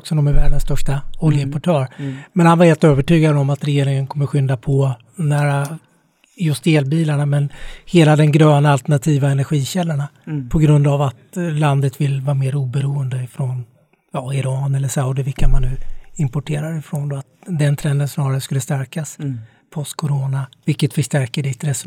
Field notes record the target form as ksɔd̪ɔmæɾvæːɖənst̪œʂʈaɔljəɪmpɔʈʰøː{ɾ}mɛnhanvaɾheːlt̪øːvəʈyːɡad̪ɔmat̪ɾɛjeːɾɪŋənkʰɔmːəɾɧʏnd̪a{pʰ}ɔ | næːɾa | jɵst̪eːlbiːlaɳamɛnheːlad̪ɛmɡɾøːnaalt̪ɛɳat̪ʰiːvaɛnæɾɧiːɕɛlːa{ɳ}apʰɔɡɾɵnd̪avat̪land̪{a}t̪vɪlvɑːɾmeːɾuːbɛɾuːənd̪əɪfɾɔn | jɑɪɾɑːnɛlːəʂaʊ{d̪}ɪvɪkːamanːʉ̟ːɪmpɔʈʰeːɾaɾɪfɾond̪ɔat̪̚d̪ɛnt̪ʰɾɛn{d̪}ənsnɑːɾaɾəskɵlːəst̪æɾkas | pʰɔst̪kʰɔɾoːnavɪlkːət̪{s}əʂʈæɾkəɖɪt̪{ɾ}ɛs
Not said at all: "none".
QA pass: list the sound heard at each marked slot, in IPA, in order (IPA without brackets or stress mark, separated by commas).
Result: ɾ, pʰ, ɳ, ə, d̪, d̪, f, ɾ